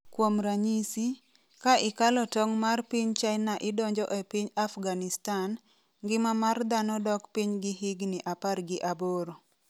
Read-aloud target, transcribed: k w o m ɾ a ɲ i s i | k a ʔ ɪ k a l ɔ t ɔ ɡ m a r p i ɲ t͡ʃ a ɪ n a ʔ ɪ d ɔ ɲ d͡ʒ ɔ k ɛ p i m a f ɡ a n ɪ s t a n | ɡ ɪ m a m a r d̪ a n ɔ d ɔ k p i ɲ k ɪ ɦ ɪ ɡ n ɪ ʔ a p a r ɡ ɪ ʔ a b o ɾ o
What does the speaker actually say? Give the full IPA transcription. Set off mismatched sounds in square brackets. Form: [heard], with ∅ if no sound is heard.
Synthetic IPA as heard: k w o m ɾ a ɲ i s i | k a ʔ ɪ k a l ɔ t ɔ [ŋ] m a r p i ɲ t͡ʃ a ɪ n a ʔ ɪ d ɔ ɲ d͡ʒ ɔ [ʔ] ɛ p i [ɲ] a f ɡ a n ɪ s t a n | ɡ ɪ m a m a r d̪ a n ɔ d ɔ k p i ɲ [ɡ] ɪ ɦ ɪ ɡ n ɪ ʔ a p a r ɡ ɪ ʔ a b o ɾ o